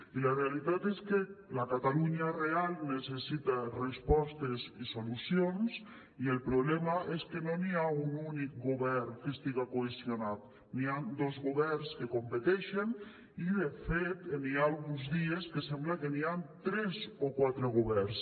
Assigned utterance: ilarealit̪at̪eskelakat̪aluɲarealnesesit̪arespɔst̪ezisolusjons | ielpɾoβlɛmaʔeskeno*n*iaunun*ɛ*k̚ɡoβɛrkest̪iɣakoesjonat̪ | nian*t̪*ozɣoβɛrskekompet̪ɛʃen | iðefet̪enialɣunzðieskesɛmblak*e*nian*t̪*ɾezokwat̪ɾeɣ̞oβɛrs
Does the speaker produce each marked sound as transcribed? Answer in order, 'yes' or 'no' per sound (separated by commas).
yes, no, no, yes, yes